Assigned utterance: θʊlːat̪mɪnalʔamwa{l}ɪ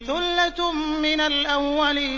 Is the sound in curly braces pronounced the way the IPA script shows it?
yes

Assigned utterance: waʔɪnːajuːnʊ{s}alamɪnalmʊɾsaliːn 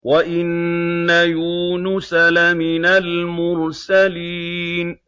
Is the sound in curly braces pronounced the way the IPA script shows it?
yes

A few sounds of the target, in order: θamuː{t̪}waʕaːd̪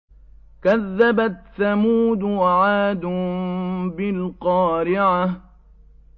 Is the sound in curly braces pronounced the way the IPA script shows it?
no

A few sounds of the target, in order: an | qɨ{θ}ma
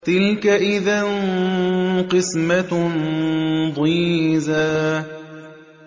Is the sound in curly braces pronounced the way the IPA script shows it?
no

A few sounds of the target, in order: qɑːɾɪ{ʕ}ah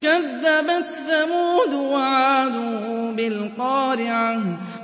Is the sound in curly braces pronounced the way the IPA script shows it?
yes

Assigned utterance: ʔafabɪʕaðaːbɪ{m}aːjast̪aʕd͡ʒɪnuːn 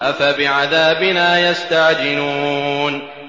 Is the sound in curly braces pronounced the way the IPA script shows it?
no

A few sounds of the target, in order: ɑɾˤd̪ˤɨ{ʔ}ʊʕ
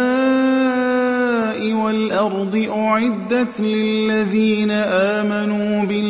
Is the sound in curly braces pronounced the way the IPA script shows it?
yes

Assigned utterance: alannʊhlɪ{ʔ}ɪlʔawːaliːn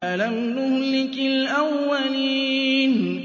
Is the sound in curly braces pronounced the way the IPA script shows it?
no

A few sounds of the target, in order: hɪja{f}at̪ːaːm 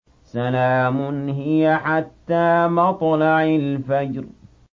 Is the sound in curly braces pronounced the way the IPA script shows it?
no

